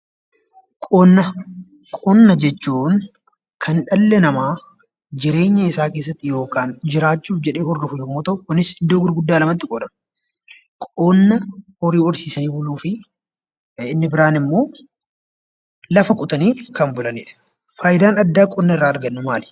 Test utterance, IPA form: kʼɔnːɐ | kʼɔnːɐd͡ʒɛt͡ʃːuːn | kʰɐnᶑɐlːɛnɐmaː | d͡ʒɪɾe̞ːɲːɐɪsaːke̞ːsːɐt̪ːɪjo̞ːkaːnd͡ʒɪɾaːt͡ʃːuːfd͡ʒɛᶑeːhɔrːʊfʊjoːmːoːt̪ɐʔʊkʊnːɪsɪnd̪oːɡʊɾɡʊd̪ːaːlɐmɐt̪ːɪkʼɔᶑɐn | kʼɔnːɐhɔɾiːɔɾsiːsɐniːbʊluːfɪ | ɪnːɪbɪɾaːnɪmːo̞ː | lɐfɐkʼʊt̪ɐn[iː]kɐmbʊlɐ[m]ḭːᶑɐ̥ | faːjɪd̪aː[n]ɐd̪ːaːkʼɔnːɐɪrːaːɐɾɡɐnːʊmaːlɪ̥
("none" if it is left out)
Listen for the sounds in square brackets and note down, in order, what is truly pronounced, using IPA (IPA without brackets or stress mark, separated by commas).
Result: iː, n, n